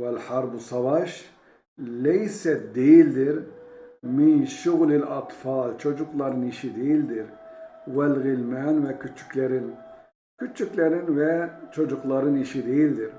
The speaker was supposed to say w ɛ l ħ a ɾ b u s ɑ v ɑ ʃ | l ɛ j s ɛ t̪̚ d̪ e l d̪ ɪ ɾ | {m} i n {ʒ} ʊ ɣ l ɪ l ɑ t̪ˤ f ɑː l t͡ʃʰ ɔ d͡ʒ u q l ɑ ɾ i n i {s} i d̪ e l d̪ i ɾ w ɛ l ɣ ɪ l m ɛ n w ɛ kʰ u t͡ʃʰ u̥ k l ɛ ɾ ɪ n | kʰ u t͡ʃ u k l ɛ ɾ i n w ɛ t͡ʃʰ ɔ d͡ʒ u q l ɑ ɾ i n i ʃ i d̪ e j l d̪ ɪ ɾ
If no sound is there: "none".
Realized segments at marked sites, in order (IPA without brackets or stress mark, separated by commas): m, ʃ, ʃ